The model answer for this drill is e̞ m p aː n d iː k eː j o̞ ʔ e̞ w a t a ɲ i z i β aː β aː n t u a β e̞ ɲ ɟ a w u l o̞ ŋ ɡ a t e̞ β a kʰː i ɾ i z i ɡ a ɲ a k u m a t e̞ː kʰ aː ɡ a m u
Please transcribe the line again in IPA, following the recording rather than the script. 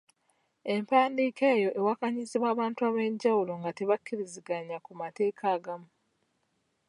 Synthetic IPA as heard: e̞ m p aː n d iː k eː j o̞ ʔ e̞ w a k a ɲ i z i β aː β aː n t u a β e̞ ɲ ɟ a w u l o̞ ŋ ɡ a t e̞ β a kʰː i ɾ i z i ɡ a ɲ a k u m a t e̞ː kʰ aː ɡ a m u